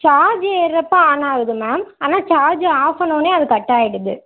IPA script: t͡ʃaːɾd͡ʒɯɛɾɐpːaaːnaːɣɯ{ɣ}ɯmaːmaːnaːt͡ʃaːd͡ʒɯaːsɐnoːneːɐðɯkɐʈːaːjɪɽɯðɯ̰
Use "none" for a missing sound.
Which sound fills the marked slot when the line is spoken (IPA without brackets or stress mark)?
ð